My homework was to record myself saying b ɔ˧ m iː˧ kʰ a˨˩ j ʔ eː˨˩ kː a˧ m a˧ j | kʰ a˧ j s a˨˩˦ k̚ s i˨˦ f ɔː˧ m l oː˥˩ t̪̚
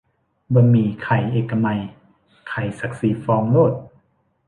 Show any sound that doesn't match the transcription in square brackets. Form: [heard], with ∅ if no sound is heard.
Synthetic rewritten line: b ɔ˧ m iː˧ kʰ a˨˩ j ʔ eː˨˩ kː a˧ m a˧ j | kʰ [a˨˩] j s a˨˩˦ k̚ s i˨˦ f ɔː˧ [ŋ] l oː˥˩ t̪̚